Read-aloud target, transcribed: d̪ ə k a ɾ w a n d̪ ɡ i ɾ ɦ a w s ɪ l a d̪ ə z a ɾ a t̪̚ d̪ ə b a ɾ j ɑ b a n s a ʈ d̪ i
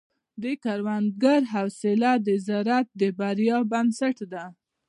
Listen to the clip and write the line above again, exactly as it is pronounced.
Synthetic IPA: d̪ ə k a ɾ w a n d̪ ɡ a ɾ ɦ a w s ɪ l a d̪ ə z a ɾ a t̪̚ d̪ ə b a ɾ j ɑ b a n s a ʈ d̪ a